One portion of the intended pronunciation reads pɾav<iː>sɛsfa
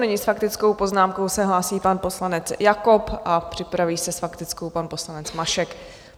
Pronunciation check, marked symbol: correct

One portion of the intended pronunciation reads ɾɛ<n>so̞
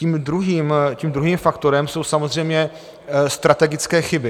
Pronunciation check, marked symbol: incorrect: m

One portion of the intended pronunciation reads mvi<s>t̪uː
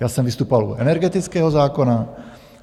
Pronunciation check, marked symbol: correct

